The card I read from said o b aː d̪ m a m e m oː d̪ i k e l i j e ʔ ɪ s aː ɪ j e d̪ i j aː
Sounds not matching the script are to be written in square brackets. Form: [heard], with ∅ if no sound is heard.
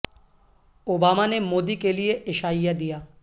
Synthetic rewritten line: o b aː [∅] m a [n] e m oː d̪ i k e l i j e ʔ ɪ [ʃ] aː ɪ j [a] d̪ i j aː